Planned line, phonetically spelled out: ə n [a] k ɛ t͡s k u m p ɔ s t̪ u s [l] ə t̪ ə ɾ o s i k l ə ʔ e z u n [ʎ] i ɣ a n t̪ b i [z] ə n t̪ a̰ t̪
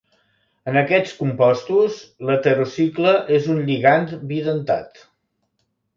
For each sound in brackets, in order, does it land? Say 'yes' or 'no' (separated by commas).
no, yes, yes, no